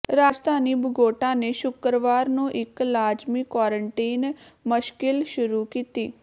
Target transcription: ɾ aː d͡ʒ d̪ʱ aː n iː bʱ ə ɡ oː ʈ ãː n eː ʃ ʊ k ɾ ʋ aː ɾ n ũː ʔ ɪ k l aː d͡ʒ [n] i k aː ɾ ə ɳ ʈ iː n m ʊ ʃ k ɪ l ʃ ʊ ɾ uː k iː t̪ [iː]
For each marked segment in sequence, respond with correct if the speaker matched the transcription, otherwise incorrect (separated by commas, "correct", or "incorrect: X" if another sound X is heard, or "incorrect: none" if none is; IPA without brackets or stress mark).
incorrect: m, correct